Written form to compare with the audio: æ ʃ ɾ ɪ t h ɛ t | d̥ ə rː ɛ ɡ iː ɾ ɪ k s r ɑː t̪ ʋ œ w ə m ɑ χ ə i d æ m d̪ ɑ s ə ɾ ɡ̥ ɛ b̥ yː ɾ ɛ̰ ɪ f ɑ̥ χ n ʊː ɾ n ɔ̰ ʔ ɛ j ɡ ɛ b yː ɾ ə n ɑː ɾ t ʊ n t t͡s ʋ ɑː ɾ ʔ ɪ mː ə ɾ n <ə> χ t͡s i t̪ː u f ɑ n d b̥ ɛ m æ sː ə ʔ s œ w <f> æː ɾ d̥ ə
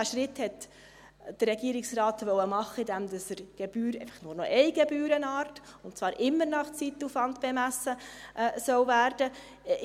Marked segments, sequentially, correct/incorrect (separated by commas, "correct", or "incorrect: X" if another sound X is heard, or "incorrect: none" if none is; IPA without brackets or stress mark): incorrect: ɑ, incorrect: v